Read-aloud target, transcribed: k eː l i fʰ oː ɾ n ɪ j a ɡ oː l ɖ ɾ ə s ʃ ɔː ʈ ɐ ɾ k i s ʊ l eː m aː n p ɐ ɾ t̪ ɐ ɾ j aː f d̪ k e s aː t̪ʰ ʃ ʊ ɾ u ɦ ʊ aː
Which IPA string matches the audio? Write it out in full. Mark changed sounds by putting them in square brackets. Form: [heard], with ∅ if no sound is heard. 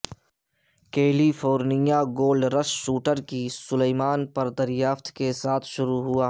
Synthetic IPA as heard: k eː l i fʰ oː ɾ n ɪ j a ɡ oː l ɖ ɾ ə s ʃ [uː] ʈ [ə] ɾ k i s ʊ l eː m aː n p ɐ ɾ [d̪] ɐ ɾ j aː f [t̪] k e s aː t̪ʰ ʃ ʊ ɾ u ɦ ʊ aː